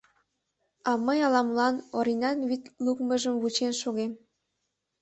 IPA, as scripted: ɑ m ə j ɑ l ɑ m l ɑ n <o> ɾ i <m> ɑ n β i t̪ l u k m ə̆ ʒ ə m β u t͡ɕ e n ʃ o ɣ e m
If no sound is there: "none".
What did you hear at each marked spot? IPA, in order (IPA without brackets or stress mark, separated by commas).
o, n